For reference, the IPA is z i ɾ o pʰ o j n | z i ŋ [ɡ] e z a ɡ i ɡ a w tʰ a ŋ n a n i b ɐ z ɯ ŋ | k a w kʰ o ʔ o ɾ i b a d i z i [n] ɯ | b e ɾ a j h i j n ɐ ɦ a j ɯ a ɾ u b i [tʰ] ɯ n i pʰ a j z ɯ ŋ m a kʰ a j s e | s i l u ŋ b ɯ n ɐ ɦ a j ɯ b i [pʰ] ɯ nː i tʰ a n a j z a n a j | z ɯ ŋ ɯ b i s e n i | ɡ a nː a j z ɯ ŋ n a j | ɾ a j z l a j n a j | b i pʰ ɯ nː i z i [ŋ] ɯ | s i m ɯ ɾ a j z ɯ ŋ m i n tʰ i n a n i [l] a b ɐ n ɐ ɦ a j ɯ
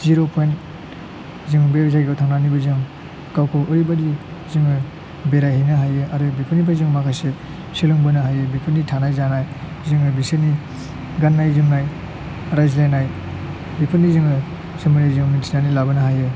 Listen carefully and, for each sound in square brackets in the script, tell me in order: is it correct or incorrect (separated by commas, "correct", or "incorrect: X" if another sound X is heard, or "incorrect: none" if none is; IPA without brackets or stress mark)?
incorrect: b, incorrect: ŋ, incorrect: pʰ, correct, correct, correct